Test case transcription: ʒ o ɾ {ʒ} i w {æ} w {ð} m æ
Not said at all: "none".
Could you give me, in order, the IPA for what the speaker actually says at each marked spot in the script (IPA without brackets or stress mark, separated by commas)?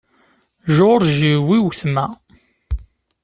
ʒ, i, θ